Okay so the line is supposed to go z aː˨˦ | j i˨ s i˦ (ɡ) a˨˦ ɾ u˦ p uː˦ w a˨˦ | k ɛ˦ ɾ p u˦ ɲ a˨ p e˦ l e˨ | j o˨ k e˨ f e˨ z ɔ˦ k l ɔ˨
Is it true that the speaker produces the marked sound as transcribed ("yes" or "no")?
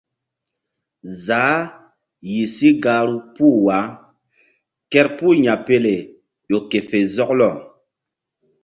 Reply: yes